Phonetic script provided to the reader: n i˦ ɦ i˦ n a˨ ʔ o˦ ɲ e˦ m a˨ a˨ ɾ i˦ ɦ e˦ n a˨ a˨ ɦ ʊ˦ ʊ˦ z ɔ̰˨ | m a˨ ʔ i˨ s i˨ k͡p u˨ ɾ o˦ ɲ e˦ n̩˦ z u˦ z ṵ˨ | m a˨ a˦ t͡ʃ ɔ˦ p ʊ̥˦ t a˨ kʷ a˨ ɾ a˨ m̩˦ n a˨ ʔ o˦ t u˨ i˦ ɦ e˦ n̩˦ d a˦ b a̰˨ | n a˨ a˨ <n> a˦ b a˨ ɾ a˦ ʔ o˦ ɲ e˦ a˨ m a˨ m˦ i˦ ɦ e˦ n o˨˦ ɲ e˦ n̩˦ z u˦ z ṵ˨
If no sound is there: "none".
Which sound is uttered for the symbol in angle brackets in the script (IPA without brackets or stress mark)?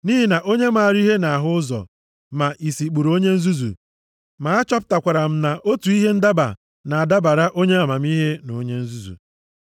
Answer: d